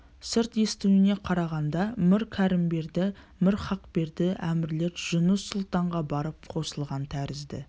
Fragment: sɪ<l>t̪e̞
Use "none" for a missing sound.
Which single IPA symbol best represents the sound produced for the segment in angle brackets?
ɾ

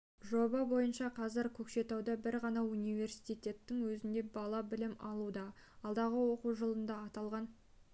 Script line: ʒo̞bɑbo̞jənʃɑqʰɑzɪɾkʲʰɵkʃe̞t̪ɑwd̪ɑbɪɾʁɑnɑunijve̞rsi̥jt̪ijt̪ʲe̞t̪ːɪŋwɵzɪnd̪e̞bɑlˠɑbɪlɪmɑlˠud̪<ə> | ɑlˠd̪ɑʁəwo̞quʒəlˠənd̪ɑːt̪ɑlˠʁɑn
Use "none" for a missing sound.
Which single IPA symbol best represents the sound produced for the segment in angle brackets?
ɑ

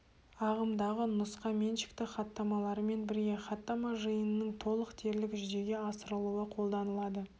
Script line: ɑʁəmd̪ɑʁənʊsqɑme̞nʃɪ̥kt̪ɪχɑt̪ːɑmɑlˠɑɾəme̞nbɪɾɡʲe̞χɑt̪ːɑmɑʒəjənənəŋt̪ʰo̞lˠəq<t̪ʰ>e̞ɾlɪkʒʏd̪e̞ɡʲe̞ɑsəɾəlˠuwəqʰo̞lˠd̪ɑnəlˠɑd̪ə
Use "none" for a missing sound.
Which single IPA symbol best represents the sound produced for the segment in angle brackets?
t̪ʰ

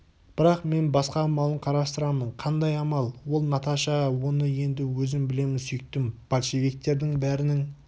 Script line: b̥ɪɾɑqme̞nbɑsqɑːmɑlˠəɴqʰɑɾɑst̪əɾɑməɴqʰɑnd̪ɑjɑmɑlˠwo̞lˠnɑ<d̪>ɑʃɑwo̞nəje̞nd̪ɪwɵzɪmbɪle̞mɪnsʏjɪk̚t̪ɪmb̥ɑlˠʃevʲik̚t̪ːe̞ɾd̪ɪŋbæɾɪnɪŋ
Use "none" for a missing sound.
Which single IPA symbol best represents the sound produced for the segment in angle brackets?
t̪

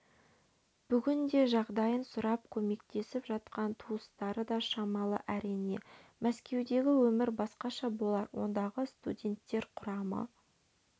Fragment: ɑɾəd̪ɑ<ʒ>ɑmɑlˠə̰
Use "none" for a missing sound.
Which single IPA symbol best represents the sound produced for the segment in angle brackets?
ʃ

